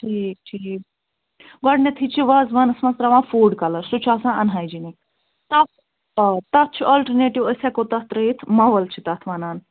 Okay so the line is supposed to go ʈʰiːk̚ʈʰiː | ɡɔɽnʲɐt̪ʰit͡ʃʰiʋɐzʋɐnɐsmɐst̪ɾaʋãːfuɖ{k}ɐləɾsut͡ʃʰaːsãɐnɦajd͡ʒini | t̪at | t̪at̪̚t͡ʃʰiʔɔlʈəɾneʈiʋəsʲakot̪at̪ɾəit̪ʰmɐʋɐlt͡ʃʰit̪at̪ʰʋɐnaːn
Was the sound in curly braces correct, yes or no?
yes